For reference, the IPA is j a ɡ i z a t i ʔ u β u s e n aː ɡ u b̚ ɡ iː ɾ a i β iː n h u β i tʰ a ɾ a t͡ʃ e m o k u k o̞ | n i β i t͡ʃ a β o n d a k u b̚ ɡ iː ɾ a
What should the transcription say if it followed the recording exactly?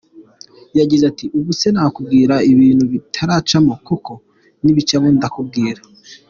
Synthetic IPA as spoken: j a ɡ i z a t i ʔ u β u s e n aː k u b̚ ɡ iː ɾ a i β iː n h u β i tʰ a ɾ a t͡ʃ a m o k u k o̞ | n i β i t͡ʃ a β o n d a k u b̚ ɡ iː ɾ a